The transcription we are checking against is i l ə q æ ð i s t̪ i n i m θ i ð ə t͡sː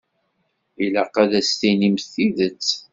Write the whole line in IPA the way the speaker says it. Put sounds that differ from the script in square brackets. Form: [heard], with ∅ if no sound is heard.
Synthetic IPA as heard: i l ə q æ ð [æ] s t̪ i n i m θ i ð ə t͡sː